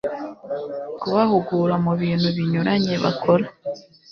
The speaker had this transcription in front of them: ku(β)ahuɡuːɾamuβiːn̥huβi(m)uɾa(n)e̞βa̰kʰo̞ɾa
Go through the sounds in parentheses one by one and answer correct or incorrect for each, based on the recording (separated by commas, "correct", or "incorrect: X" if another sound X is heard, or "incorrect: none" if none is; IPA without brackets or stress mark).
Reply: correct, incorrect: ɲ, incorrect: ɲ